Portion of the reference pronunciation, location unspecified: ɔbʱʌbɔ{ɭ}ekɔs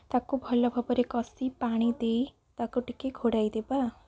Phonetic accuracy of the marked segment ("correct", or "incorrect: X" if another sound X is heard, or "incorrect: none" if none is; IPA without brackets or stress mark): incorrect: ɾ